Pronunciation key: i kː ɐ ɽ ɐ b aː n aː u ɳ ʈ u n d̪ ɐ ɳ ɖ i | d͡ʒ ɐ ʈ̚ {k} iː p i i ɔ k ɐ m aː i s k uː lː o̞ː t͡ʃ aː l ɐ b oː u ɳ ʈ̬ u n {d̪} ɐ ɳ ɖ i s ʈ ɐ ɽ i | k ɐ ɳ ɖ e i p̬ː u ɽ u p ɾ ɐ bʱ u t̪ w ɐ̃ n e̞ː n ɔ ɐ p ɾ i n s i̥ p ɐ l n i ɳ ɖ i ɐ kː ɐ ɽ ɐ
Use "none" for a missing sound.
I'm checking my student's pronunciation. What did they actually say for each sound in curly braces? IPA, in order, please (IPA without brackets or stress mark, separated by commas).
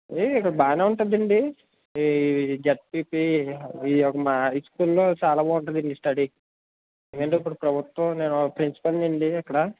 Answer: p, d̪